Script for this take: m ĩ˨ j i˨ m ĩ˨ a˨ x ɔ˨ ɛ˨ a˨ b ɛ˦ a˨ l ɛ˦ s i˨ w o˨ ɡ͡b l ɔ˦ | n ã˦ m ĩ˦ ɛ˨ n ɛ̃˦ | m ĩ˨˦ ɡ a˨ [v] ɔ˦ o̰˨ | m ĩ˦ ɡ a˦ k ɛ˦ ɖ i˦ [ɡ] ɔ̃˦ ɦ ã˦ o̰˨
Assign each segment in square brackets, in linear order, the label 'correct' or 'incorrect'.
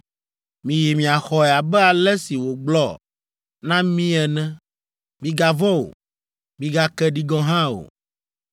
correct, correct

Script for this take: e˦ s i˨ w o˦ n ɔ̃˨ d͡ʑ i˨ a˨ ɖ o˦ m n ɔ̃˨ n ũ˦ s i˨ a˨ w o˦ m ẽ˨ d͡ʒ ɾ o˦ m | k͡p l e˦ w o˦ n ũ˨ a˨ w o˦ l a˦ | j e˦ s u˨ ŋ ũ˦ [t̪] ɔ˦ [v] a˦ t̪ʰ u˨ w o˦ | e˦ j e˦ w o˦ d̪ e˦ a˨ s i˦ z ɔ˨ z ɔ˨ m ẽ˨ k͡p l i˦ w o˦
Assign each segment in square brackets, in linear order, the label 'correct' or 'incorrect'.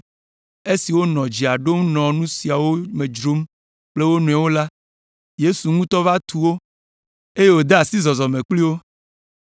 correct, correct

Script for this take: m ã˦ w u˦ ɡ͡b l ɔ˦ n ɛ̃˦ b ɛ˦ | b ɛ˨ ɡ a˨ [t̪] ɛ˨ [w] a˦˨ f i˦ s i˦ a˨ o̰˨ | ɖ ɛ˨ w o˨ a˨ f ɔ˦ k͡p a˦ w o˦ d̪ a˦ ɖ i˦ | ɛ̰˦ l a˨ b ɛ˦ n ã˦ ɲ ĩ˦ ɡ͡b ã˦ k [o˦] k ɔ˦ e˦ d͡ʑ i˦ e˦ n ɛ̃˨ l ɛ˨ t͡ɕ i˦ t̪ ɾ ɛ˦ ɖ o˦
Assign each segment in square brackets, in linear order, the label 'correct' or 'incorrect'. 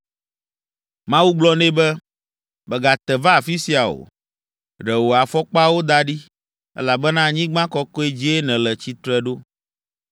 correct, incorrect: v, incorrect: ɔ˦

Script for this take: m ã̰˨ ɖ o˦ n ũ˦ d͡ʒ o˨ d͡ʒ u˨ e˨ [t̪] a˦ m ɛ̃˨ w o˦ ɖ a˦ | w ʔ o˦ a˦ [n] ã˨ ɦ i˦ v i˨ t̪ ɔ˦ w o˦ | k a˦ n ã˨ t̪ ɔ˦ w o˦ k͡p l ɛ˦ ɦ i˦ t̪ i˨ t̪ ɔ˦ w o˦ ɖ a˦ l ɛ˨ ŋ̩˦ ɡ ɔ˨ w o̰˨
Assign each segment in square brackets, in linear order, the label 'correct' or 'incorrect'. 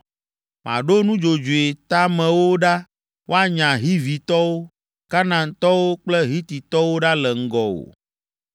correct, incorrect: ɲ

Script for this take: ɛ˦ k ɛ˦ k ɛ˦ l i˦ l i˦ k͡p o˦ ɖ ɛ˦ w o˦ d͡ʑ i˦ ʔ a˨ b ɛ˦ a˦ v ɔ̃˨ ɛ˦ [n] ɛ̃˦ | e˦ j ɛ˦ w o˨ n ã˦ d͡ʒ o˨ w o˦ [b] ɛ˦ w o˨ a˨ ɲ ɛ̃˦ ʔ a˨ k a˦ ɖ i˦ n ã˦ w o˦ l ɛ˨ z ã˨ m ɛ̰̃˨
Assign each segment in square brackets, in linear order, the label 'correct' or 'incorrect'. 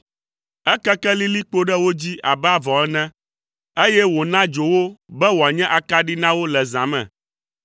correct, correct

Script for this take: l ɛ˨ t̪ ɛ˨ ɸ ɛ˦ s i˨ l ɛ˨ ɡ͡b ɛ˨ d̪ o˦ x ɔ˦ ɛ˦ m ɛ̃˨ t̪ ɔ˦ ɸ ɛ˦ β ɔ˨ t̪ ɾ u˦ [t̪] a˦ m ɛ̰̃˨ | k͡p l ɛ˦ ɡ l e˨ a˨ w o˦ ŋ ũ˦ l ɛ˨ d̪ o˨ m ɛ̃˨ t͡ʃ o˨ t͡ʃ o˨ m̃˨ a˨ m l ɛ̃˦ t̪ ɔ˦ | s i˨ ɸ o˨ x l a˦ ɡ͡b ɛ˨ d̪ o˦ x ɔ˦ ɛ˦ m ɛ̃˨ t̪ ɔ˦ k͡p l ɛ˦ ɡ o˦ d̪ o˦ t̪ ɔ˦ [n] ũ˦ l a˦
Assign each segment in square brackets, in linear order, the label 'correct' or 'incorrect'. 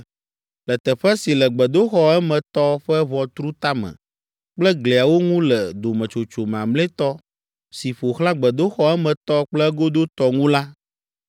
correct, incorrect: ŋ

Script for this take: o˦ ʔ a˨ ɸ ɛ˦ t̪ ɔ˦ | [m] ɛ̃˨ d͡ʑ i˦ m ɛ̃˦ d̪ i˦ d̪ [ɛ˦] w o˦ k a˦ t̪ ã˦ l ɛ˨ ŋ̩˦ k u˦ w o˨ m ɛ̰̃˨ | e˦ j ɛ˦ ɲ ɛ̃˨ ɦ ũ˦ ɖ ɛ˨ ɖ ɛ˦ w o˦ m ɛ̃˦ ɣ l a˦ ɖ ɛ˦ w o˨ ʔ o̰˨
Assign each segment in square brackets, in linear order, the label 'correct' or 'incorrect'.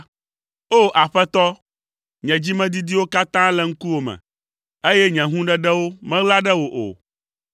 incorrect: ɲ, incorrect: i˦

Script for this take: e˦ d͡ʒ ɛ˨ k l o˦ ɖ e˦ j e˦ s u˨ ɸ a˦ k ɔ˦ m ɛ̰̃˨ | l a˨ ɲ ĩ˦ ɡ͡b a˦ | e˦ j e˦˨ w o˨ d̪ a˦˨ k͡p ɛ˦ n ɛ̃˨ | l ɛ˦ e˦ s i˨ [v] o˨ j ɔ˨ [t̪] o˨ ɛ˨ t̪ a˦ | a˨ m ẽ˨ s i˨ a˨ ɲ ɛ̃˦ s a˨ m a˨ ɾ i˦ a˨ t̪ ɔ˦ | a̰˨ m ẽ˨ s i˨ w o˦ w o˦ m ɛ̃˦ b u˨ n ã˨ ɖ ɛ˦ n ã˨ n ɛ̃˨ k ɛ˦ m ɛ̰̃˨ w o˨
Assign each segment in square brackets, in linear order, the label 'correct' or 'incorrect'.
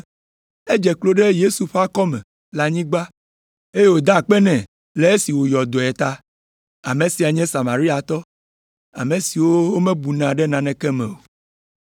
incorrect: w, incorrect: d̪

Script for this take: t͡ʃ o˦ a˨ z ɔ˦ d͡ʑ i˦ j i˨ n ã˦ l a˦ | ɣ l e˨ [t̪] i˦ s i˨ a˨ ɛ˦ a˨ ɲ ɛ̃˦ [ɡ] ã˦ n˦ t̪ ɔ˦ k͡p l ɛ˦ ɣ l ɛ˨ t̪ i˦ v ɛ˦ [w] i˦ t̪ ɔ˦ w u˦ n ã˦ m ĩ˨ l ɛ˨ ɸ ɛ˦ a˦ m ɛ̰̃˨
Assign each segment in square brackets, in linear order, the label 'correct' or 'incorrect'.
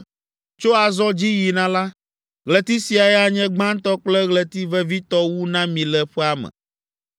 correct, incorrect: ɡ͡b, incorrect: v

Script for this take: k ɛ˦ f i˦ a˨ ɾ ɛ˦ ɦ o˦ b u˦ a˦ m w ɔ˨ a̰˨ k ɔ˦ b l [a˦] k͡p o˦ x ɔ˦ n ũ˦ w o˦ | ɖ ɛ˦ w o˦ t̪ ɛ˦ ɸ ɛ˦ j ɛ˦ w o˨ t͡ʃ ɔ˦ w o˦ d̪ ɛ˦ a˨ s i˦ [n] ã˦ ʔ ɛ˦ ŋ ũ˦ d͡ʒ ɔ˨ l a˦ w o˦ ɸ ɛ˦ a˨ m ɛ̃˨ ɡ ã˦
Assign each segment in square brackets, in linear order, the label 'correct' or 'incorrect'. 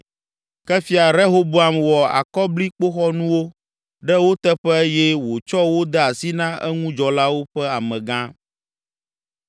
incorrect: i˦, correct

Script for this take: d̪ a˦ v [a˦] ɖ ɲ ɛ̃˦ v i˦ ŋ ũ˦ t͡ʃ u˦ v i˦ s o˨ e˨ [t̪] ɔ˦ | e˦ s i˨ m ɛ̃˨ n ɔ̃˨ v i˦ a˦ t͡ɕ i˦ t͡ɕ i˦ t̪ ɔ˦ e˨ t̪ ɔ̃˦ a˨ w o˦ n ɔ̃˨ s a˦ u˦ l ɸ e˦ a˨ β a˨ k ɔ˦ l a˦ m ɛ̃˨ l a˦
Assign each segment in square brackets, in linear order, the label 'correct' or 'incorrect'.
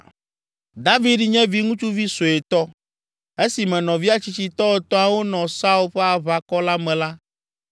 incorrect: i˦, correct

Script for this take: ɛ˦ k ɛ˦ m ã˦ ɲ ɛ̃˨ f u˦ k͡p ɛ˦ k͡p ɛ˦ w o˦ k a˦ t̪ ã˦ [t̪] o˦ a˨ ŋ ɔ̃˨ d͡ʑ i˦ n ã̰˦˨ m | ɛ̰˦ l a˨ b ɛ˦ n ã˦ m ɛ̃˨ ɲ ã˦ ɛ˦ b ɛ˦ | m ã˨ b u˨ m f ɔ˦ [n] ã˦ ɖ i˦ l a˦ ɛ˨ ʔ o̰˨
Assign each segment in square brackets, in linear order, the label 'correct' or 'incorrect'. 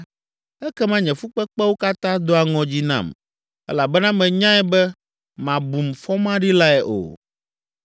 incorrect: d̪, incorrect: m

